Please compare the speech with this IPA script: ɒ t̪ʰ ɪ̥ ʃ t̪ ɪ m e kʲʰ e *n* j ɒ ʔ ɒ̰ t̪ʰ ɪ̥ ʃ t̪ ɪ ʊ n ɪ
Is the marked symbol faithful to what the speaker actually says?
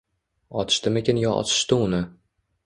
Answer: yes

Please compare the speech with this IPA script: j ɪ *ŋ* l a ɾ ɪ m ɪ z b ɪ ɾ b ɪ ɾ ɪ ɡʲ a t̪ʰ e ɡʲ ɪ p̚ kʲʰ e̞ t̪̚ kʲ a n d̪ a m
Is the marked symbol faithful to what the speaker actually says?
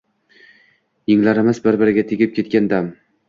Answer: yes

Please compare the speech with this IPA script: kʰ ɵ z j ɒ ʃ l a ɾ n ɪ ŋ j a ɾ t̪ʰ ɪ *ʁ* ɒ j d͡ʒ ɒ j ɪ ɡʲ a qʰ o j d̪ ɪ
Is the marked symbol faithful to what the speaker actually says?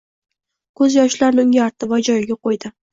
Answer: no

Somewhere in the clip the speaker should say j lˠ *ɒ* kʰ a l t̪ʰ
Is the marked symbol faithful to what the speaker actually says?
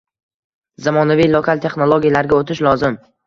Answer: no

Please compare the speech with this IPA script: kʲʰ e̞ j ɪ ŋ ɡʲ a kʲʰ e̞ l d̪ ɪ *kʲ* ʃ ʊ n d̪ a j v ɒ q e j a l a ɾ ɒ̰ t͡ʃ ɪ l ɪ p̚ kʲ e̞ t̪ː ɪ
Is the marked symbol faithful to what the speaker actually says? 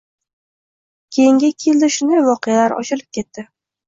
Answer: no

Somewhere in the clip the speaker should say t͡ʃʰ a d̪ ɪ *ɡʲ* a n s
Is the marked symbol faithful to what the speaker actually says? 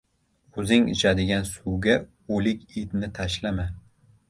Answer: yes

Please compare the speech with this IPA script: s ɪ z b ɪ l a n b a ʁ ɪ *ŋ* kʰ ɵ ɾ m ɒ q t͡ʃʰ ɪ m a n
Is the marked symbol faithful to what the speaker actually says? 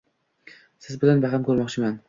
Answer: no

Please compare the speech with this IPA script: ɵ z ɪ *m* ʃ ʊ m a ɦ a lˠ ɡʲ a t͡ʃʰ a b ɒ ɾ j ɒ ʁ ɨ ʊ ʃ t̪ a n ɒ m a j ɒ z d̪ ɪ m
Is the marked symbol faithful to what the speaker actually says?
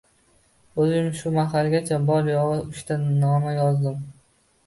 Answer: yes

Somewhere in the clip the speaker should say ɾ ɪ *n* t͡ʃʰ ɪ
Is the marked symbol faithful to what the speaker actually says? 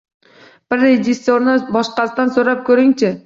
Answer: no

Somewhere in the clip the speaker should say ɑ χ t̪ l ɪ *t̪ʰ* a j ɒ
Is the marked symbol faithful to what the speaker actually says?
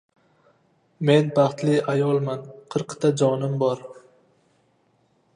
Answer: no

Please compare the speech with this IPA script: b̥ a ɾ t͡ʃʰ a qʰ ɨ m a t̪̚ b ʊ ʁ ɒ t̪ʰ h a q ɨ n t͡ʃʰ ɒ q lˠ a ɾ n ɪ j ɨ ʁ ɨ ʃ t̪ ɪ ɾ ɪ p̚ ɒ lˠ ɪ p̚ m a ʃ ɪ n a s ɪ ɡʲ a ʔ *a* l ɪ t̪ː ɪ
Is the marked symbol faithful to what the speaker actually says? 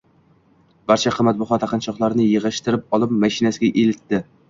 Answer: no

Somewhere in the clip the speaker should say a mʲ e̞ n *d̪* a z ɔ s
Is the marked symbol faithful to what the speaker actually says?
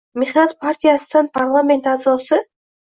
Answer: no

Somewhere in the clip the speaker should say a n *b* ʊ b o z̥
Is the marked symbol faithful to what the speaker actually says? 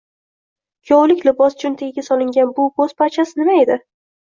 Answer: yes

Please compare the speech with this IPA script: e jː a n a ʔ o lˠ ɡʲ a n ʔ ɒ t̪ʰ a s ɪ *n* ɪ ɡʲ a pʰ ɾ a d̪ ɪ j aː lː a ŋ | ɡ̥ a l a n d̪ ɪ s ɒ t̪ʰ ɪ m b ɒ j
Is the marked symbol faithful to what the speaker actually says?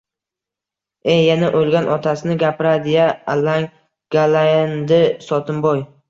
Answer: yes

